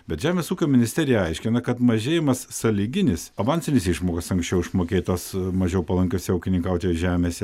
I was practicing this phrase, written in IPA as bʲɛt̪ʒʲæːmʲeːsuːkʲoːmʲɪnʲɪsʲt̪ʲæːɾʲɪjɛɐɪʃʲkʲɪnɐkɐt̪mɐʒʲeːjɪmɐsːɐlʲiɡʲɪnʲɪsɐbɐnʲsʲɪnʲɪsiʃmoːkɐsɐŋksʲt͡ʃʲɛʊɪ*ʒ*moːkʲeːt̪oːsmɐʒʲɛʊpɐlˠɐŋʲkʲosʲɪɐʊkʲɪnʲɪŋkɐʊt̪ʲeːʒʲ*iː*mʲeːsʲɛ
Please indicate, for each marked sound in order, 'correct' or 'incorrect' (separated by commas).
incorrect, incorrect